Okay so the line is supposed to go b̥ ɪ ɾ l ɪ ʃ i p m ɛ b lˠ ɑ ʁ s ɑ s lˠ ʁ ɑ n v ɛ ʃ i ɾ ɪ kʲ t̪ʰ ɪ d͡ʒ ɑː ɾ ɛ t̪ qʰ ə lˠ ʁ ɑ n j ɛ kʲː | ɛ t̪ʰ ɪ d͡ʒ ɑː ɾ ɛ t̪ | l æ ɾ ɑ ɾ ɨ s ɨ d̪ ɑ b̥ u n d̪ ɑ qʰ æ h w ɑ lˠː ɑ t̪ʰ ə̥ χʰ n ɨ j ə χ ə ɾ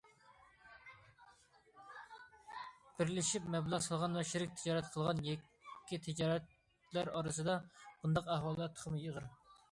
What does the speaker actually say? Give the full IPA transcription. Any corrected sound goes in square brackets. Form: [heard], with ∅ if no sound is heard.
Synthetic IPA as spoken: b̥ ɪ ɾ l ɪ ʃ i p m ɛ b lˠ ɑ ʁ s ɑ [∅] lˠ ʁ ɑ n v ɛ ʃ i ɾ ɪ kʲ t̪ʰ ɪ d͡ʒ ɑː ɾ ɛ t̪ qʰ ə lˠ ʁ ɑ n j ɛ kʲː | [i] t̪ʰ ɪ d͡ʒ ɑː ɾ ɛ t̪ | l æ ɾ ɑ ɾ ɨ s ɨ d̪ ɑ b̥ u n d̪ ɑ [q] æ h w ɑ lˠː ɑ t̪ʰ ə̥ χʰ [m] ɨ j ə [ʁ] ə ɾ